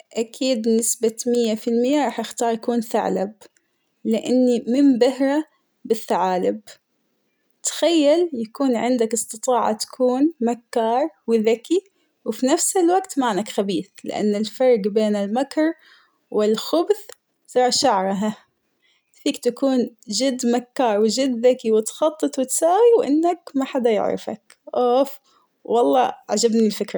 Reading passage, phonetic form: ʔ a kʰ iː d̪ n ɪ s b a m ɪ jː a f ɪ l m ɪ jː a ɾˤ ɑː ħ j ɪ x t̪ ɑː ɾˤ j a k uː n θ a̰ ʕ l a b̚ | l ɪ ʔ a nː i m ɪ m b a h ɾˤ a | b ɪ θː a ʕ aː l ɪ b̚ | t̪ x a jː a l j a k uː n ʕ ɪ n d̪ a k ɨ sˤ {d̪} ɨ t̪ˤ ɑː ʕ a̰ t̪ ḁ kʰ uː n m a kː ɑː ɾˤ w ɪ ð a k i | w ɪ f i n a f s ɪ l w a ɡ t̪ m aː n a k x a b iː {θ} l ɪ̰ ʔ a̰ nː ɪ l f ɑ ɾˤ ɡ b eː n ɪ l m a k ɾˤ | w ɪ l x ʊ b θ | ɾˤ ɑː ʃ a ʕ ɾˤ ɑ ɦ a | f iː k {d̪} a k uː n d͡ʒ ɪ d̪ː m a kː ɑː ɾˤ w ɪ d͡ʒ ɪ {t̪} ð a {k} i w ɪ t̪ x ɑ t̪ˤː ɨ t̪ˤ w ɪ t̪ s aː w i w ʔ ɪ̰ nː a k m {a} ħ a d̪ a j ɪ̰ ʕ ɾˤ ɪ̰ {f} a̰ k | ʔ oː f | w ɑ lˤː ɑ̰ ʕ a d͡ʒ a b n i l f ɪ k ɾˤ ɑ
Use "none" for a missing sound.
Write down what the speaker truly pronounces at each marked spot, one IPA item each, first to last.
t̪, θ, t̪, d̪, k, a, f

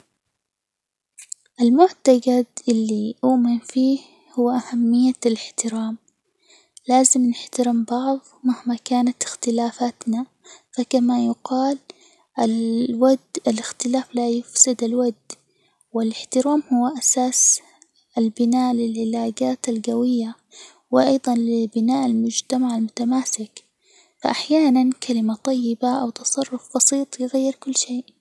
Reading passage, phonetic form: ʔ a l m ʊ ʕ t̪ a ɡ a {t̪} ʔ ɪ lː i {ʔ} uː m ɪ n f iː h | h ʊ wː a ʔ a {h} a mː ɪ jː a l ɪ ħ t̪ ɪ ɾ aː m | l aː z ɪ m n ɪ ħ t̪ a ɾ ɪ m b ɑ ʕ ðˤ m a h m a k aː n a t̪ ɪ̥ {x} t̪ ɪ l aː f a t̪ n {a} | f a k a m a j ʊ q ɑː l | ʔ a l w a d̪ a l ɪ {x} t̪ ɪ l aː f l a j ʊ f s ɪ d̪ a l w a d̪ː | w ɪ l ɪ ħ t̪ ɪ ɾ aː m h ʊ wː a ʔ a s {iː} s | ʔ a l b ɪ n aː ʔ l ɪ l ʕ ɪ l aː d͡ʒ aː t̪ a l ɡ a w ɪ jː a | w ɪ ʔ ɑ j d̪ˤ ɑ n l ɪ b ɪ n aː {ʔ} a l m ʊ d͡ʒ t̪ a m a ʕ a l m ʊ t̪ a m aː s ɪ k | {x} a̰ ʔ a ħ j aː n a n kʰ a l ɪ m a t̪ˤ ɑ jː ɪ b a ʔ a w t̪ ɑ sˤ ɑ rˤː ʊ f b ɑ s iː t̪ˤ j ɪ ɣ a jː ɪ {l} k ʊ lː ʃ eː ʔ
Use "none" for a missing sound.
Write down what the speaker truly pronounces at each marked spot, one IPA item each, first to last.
d̪, ʔ, h, x, a, x, aː, ʔ, f, ɾ

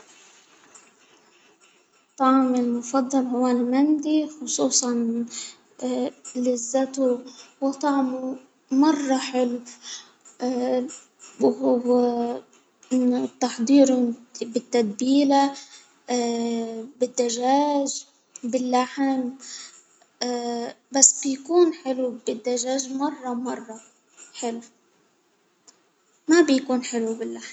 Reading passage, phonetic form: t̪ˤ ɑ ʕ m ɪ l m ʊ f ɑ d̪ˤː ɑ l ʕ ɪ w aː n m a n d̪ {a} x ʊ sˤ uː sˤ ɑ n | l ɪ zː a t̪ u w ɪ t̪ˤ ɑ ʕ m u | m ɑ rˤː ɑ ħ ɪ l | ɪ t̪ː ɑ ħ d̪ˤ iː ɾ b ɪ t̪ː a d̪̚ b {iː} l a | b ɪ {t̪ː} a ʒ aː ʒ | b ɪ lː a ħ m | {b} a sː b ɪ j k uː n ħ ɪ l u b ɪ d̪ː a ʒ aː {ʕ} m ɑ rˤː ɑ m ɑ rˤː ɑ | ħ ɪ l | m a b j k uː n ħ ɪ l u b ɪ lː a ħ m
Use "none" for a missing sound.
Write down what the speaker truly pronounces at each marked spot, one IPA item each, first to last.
i, iː, d̪ː, b, ʒ

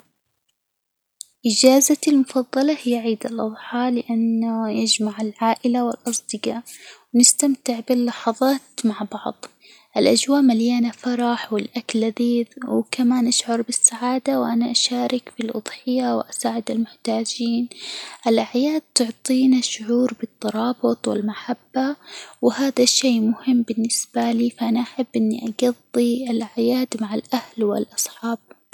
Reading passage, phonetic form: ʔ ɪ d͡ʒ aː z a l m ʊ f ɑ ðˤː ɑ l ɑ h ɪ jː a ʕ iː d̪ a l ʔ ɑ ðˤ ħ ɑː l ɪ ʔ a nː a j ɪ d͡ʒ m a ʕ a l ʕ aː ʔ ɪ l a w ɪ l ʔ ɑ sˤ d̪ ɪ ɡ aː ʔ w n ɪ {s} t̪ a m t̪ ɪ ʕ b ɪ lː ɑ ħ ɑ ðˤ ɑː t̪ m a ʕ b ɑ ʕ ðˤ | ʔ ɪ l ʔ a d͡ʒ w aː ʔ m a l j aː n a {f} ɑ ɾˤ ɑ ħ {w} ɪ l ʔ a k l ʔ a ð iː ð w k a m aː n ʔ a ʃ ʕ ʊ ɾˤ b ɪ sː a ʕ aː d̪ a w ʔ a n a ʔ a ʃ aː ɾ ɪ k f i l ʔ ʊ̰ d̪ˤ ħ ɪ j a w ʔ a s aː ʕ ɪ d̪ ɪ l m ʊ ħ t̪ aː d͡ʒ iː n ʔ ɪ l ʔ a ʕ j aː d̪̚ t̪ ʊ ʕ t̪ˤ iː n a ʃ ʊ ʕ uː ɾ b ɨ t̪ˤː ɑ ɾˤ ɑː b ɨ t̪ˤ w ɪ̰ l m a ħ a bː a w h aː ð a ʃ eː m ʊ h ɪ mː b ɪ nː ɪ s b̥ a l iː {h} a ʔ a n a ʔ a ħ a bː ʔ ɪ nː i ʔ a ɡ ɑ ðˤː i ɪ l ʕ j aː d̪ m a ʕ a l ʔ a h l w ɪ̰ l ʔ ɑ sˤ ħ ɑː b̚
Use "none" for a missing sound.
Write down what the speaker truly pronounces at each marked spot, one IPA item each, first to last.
s, f, w, f

